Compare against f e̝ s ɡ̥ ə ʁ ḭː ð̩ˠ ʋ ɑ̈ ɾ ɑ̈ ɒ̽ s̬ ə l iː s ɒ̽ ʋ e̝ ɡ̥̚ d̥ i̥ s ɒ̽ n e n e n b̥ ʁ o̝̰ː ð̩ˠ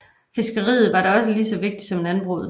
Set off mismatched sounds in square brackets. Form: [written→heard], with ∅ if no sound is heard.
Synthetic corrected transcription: f e̝ s ɡ̥ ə ʁ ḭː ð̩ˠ ʋ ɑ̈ ɾ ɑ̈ ɒ̽ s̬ ə l iː s ɒ̽ ʋ e̝ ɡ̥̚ d̥ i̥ s ɒ̽ [n→m] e n [e→æ] n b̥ ʁ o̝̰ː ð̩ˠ